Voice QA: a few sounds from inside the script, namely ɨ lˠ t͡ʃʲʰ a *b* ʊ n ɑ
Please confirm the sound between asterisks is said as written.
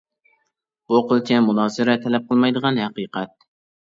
no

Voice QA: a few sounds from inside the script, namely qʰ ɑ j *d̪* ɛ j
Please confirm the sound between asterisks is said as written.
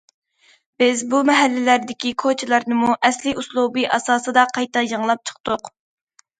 no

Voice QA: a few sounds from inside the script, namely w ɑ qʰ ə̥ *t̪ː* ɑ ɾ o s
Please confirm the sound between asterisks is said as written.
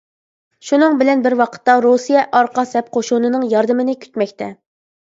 yes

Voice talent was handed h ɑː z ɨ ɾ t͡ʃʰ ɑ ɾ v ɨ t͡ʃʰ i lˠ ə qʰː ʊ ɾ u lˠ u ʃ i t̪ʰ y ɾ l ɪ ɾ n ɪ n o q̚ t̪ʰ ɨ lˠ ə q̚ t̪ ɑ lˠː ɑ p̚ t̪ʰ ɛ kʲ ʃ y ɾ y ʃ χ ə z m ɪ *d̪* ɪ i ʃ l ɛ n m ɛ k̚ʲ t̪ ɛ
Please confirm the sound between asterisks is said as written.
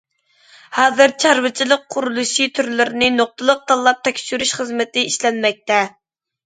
no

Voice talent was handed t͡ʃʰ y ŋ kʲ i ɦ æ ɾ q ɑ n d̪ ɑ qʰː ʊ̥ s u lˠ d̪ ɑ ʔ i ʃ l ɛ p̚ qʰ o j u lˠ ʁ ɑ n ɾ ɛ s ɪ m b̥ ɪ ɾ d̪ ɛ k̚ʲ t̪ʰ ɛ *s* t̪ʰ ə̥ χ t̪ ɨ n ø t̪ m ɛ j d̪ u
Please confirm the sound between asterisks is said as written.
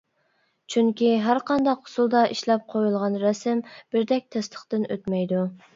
yes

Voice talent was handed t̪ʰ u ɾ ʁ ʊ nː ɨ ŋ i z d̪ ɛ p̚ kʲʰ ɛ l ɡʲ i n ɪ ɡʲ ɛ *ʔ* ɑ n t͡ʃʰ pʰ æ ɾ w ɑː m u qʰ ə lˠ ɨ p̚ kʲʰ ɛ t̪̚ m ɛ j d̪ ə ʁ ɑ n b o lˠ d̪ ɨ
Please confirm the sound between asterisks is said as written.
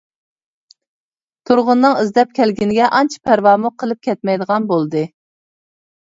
yes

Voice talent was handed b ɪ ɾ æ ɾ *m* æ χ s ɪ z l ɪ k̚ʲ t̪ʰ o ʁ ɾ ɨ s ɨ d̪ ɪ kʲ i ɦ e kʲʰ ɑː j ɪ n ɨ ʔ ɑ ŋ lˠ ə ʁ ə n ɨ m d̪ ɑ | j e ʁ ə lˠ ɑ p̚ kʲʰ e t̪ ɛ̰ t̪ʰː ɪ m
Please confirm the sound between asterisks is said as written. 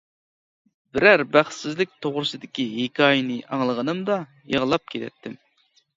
no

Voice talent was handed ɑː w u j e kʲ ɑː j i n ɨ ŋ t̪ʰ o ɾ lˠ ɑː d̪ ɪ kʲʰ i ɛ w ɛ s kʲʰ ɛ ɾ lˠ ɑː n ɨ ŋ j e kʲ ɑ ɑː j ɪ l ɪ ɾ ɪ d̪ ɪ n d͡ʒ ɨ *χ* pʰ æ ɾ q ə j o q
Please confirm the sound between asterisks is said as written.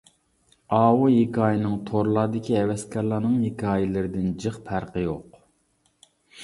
yes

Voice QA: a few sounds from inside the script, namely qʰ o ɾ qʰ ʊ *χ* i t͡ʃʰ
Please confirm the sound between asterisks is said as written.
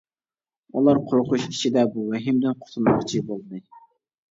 no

